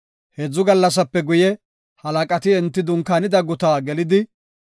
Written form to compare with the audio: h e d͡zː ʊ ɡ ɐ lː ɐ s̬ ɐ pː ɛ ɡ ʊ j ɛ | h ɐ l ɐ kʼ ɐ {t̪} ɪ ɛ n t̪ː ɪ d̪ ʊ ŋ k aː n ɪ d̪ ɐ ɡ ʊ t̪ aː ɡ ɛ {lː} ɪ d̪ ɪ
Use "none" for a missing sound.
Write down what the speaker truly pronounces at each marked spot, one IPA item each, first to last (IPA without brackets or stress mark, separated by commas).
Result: t̪, l